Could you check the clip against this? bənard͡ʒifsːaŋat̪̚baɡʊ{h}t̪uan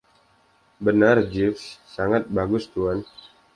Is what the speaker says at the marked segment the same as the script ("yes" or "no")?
no